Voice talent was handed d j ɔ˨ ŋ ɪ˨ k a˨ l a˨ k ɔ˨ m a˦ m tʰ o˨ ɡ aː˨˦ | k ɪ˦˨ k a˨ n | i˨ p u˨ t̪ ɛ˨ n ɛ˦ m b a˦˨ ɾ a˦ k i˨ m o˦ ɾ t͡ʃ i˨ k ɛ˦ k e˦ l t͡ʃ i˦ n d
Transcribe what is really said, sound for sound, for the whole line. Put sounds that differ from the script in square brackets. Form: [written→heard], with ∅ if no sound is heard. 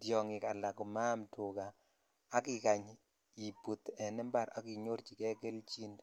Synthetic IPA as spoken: d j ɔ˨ ŋ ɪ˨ k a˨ l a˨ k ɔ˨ m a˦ m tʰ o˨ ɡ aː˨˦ | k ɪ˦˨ k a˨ [n→ɲ] | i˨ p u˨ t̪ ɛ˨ n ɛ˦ m b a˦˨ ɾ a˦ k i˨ [m→ɲ] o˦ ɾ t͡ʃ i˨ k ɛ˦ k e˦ l t͡ʃ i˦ n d